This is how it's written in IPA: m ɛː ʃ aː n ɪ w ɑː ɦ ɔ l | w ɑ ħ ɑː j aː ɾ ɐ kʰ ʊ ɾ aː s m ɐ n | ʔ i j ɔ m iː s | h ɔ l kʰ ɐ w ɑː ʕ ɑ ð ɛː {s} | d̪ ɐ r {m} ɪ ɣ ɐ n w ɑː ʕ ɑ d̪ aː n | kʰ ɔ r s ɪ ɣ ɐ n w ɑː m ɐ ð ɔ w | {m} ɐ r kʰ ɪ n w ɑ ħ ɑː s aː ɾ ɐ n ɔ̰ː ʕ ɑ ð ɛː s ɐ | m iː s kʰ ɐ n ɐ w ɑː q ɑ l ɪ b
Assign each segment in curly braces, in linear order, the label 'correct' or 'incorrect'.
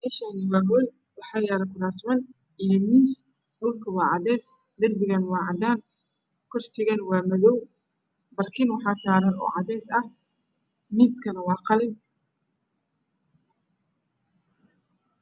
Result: correct, incorrect: b, incorrect: b

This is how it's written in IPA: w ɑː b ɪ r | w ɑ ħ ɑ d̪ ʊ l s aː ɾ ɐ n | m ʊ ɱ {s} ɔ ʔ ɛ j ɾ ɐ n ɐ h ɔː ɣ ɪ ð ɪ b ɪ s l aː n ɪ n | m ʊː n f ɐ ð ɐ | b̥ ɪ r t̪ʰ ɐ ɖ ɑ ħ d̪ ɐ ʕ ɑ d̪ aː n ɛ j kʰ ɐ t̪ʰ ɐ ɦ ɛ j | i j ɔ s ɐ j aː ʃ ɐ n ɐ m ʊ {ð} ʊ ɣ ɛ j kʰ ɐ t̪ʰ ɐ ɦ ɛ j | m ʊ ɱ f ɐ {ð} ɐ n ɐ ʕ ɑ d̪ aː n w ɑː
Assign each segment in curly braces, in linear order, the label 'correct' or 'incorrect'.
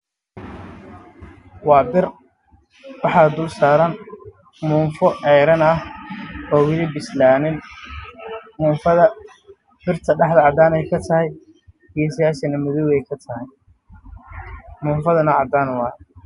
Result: incorrect: f, correct, correct

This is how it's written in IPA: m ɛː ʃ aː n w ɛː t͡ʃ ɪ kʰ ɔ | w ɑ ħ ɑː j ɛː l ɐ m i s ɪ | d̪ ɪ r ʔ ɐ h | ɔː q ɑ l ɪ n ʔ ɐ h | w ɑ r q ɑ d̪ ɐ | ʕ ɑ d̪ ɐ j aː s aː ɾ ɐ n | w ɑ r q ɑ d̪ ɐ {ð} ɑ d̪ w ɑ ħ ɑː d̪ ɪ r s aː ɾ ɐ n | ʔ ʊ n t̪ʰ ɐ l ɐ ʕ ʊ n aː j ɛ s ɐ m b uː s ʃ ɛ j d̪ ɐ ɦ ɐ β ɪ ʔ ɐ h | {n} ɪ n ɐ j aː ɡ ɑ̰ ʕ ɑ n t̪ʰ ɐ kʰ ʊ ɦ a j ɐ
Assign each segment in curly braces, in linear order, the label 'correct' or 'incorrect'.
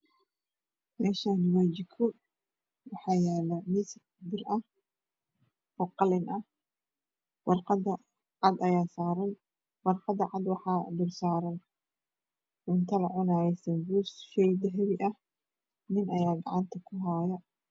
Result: incorrect: ʕ, correct

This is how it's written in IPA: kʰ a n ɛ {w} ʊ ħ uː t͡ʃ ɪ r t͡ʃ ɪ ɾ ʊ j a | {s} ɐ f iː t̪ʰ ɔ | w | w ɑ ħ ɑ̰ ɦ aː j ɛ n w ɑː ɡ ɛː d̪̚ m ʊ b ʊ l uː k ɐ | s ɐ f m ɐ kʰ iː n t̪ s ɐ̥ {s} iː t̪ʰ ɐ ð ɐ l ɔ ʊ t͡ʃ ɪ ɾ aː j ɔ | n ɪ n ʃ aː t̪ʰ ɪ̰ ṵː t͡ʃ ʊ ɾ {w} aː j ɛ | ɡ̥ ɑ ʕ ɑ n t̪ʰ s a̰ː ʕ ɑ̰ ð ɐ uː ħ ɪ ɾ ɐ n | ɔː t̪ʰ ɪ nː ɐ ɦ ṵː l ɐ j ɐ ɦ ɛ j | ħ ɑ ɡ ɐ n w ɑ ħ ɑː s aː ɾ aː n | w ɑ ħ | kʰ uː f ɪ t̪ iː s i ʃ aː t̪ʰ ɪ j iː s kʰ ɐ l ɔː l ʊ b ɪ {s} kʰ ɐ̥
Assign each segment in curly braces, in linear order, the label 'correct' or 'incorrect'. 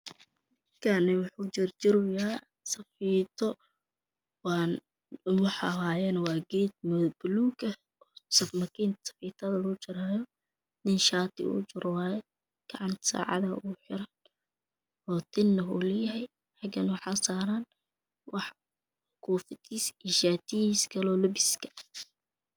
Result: correct, correct, incorrect: f, correct, correct

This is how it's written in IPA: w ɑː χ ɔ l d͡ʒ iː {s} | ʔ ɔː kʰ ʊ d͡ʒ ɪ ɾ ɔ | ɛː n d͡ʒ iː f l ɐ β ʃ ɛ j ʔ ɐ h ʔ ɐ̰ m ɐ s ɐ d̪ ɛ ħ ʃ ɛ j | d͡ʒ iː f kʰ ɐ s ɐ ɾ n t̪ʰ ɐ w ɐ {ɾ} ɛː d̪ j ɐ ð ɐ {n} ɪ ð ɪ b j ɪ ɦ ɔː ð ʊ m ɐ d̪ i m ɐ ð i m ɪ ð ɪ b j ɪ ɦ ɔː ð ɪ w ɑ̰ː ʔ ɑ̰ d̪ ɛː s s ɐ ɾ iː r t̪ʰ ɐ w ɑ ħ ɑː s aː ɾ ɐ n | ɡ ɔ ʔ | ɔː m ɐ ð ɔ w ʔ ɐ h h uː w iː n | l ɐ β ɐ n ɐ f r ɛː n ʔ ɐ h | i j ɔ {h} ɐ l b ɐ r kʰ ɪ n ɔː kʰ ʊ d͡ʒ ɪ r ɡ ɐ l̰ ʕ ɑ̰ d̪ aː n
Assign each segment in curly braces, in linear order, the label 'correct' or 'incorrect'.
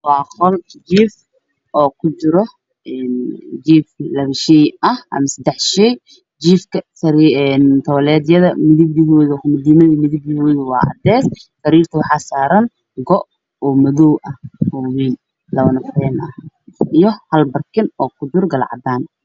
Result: incorrect: f, incorrect: l, incorrect: m, correct

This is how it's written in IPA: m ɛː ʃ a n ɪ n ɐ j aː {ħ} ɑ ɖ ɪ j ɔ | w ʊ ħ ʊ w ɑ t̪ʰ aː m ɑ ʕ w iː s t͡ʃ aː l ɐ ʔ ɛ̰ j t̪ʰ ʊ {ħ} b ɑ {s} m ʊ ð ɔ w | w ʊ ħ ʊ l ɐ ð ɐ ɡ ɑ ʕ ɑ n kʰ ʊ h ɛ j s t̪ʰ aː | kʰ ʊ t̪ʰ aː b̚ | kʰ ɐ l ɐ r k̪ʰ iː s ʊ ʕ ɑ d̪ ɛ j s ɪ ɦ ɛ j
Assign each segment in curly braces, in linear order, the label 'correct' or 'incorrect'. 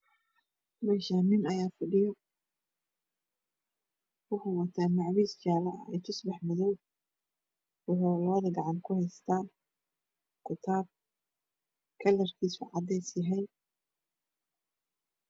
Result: incorrect: f, incorrect: s, incorrect: ħ

